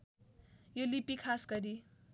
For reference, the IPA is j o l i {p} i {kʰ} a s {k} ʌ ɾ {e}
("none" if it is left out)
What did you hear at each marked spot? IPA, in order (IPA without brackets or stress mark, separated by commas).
p, kʰ, ɡ, i